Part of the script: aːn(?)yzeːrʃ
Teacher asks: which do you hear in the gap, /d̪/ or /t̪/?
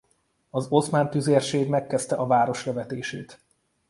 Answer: t̪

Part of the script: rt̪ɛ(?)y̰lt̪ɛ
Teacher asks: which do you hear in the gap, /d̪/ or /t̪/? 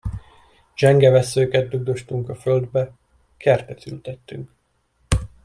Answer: t̪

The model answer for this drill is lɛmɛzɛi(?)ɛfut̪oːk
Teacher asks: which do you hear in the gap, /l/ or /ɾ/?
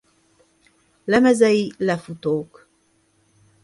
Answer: l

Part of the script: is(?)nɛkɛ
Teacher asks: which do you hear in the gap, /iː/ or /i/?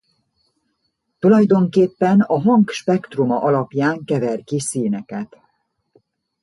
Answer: iː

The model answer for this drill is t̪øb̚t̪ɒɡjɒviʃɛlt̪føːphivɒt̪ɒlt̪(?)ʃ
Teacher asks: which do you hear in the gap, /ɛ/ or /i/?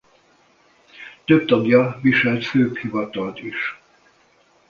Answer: i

